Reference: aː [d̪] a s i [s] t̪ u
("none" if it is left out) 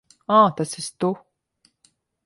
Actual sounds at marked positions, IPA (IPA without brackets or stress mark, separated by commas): t̪, s